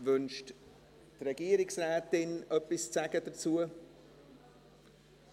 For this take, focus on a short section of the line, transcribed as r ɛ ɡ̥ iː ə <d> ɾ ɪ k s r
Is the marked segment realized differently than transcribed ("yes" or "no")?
yes